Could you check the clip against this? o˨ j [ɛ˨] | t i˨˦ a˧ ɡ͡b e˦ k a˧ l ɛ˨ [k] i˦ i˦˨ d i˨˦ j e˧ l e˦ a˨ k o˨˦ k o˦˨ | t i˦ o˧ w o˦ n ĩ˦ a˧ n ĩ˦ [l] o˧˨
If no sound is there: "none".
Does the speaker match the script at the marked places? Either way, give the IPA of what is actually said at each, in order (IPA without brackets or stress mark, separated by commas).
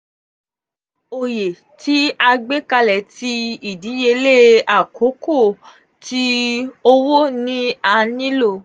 e˨, t, l